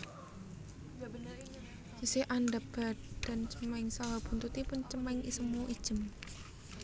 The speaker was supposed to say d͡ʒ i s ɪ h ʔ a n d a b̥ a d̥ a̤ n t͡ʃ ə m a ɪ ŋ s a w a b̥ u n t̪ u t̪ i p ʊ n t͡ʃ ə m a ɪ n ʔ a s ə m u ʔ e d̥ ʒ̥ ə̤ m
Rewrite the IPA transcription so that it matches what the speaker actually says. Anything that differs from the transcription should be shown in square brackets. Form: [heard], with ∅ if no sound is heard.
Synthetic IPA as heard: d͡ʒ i s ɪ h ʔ a n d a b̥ a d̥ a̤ n t͡ʃ ə m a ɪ ŋ s a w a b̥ u n t̪ u t̪ i p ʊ n t͡ʃ ə m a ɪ [ŋ] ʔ [i] s ə m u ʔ [i] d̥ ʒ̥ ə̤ m